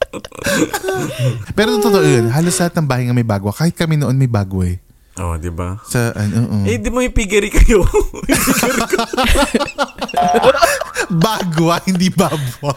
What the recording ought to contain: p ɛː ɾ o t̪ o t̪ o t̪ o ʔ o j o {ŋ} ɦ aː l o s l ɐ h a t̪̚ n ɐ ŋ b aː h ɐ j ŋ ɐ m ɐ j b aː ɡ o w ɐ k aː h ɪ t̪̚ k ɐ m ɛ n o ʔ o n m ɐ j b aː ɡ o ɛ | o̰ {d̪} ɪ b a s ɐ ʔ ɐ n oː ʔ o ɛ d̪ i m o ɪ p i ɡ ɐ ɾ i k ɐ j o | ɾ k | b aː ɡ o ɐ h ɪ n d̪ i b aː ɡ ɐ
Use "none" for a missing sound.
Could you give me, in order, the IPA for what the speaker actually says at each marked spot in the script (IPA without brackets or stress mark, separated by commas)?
n, d̪